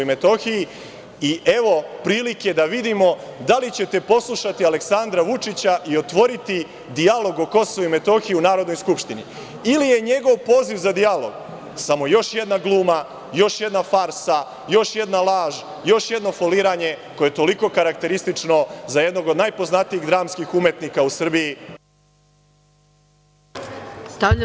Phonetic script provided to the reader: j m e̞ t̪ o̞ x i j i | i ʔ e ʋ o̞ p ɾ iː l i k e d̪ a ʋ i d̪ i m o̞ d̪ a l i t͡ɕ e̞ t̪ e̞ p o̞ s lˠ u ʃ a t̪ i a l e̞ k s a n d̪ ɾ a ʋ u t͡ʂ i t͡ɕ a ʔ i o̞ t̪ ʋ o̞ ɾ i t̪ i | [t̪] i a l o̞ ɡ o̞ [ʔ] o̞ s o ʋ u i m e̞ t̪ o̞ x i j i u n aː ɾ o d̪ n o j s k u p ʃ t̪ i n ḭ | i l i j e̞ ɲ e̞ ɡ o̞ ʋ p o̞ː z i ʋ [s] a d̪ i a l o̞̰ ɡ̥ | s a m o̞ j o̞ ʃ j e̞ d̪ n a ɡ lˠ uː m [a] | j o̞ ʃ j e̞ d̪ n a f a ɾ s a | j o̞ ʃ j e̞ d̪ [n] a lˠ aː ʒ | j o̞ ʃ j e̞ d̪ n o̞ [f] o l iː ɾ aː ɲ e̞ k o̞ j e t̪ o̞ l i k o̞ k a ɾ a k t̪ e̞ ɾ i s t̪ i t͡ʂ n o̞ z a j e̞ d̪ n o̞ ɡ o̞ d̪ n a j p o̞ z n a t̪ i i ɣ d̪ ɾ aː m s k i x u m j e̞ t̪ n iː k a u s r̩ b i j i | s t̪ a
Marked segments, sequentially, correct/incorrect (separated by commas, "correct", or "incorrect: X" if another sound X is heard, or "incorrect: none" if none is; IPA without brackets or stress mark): incorrect: d̪, incorrect: k, incorrect: z, correct, correct, correct